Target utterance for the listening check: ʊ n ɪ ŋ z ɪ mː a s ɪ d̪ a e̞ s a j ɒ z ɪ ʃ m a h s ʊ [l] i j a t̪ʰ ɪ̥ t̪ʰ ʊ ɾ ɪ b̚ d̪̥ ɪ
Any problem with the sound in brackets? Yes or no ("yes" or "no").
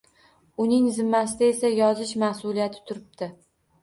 no